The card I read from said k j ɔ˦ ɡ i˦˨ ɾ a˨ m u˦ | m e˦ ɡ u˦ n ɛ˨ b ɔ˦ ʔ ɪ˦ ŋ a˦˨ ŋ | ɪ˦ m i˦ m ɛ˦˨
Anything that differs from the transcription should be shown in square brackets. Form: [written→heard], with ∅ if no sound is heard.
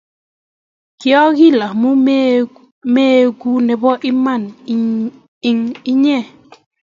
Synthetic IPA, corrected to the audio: k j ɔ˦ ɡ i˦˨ [ɾ→l] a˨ m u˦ | m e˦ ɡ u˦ n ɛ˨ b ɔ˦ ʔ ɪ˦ [ŋ→m] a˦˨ [ŋ→n] | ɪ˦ [m→ŋ] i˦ [m→ɲ] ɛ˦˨